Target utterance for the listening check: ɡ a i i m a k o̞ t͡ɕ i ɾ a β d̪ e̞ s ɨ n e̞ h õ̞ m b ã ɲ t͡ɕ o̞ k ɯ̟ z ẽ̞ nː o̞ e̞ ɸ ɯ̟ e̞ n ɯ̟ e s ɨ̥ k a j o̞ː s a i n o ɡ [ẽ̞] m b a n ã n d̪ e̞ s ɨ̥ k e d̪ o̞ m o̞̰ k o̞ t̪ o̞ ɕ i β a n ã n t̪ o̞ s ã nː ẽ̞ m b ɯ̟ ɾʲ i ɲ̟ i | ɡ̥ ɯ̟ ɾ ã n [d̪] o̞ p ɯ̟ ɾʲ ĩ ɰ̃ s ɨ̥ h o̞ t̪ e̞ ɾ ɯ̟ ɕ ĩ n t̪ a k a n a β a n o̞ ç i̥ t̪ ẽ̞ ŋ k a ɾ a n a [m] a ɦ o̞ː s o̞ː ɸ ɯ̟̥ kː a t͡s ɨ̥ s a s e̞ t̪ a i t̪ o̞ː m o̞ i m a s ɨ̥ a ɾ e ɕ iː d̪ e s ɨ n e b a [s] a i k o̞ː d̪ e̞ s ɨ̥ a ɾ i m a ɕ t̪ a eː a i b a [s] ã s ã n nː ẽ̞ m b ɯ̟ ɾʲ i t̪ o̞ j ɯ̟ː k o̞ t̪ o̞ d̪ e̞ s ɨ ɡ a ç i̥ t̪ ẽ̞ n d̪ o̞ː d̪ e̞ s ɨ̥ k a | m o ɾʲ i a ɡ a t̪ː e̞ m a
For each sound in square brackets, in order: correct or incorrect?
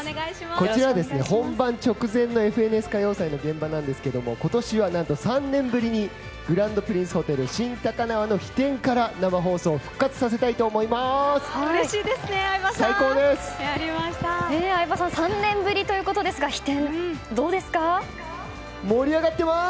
correct, correct, correct, correct, correct

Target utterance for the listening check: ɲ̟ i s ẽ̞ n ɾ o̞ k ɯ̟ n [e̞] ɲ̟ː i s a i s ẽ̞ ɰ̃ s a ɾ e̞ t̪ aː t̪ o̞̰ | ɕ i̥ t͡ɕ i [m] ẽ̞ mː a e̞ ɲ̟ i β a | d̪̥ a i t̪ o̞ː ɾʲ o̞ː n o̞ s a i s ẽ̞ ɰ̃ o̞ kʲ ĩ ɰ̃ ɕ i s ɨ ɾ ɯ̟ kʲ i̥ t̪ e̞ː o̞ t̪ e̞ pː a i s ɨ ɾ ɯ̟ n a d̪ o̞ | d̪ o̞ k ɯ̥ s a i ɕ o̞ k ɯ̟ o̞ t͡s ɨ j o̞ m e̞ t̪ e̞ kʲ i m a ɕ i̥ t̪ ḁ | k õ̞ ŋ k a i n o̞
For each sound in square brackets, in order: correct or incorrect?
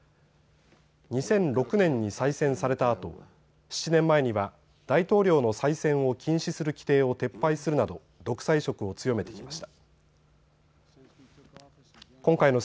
incorrect: ẽ̞, incorrect: n

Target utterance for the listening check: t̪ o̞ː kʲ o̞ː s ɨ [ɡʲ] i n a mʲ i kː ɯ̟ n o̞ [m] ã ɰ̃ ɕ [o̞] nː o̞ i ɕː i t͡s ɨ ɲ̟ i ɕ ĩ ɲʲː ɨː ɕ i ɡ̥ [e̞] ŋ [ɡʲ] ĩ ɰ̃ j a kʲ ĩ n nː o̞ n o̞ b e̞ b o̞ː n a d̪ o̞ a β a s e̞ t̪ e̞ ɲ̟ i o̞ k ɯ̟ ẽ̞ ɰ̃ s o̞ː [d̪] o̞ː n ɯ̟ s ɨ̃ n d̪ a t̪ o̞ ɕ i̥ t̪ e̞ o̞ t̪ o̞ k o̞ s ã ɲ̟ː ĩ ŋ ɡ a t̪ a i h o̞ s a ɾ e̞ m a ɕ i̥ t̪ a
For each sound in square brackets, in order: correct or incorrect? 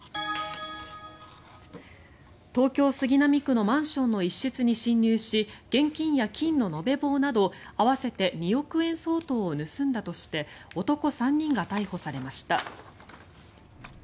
correct, correct, incorrect: õ̞, incorrect: ẽ̞, incorrect: kʲ, incorrect: t̪

